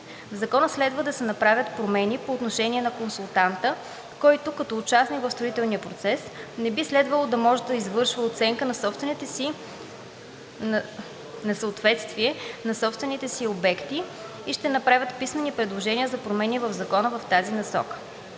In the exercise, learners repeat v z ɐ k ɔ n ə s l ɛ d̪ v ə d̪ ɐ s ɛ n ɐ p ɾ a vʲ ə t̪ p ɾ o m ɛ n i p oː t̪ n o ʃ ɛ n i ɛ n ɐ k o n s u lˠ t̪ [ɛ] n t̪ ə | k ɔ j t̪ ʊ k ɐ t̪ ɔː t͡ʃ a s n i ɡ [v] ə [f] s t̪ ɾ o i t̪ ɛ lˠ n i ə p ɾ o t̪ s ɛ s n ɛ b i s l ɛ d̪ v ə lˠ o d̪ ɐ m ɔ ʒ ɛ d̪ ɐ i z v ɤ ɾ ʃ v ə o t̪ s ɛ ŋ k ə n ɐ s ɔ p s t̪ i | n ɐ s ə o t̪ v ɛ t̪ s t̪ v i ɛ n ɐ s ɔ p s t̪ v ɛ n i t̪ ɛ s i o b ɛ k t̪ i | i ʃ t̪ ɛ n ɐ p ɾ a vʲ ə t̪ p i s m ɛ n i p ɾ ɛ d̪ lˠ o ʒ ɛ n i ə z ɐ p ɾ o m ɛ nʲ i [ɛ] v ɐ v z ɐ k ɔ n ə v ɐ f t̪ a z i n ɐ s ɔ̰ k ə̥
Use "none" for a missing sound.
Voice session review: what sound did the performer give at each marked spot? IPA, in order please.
a, v, f, ɛ

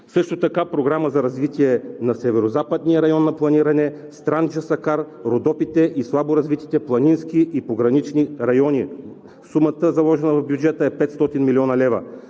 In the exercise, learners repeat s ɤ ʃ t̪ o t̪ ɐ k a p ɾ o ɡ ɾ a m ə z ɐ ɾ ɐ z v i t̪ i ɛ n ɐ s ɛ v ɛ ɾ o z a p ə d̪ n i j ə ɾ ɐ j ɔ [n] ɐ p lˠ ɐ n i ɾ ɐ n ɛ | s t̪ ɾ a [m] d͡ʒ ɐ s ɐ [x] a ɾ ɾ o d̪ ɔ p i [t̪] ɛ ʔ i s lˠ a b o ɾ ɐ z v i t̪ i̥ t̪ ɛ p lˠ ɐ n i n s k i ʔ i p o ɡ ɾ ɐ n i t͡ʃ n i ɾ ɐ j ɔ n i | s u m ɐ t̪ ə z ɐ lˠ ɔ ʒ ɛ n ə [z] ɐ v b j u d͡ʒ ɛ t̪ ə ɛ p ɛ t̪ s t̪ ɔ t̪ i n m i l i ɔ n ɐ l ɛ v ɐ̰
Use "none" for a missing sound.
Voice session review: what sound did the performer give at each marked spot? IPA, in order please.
nː, n, k, t̪, v

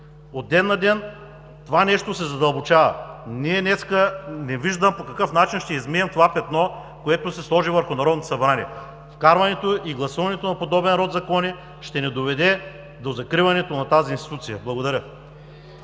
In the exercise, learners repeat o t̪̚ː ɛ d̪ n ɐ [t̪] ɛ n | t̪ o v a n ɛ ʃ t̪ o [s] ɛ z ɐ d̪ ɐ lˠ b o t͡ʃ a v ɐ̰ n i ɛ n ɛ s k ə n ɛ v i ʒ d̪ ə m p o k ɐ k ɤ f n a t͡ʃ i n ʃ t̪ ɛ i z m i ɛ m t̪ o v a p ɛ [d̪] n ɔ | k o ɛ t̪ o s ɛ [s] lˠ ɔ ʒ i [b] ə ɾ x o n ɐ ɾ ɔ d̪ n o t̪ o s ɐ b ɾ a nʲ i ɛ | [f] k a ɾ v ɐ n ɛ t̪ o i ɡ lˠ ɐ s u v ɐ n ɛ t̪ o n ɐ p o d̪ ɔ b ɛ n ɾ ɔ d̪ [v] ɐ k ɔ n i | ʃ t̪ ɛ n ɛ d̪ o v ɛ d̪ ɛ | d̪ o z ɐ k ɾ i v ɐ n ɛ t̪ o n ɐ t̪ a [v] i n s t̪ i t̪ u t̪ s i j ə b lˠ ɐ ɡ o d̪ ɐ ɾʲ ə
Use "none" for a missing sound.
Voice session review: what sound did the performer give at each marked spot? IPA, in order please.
d̪, s, t̪, s, v, f, z, z

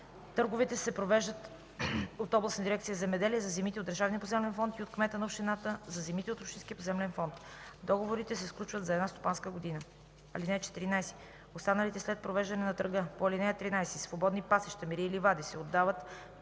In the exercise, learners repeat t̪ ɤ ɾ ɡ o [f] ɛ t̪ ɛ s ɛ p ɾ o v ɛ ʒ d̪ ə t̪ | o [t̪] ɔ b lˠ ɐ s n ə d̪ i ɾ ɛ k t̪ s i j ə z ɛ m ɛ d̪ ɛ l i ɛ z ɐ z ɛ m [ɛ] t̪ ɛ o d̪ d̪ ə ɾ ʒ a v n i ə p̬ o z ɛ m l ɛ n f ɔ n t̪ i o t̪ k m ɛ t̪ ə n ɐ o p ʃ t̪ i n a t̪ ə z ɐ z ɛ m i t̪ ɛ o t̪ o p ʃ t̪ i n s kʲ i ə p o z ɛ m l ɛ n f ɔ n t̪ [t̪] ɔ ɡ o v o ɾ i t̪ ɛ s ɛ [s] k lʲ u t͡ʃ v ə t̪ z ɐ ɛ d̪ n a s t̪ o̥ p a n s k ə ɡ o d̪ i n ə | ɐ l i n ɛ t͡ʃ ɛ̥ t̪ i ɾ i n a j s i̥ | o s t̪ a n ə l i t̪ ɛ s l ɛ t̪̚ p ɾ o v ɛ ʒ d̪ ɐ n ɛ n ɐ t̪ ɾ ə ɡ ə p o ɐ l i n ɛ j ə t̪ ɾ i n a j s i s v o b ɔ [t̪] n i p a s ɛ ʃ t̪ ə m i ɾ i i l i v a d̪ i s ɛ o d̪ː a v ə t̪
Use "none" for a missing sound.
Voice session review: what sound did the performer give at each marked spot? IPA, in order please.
v, t̪, i, d̪, s, d̪

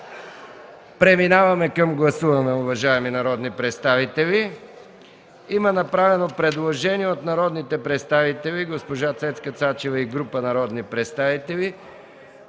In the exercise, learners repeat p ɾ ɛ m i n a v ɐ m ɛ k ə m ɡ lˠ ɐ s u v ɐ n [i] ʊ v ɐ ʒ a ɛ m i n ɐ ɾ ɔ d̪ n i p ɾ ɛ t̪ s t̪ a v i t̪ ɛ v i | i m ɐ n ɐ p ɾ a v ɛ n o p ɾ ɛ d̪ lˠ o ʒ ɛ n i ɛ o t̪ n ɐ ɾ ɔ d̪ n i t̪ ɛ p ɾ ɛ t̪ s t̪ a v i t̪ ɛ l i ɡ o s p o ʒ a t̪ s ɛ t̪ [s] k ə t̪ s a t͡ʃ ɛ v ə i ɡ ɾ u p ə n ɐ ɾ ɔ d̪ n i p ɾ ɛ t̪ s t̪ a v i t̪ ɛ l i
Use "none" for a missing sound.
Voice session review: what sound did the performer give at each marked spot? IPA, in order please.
ɛ, s

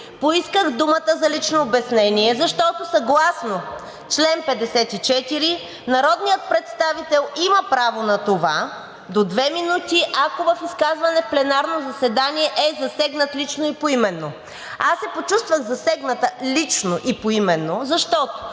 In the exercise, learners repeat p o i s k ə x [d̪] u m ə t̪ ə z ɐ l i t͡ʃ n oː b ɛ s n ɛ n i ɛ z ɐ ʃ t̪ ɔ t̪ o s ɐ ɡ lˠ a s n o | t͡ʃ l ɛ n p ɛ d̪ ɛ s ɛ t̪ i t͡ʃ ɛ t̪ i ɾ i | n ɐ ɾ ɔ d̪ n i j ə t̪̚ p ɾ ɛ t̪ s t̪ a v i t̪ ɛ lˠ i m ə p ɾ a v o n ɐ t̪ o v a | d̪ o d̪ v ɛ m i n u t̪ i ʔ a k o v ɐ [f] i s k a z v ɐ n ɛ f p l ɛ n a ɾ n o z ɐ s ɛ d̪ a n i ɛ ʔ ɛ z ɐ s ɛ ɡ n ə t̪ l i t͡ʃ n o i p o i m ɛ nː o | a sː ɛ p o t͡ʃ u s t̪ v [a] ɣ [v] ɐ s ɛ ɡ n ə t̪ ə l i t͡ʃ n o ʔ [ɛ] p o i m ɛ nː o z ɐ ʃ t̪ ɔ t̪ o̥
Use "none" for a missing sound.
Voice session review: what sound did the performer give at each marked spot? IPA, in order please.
d̪, f, ə, z, i

